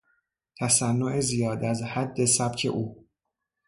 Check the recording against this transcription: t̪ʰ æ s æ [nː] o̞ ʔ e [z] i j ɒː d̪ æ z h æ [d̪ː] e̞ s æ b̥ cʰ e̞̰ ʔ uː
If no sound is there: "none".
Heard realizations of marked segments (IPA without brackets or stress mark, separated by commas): nː, z, d̪ː